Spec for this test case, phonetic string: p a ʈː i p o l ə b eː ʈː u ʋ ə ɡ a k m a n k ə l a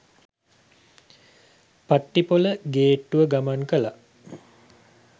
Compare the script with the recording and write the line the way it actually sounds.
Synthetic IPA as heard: p a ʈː i p o l ə ɡ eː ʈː u ʋ ə ɡ a m a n k ə l a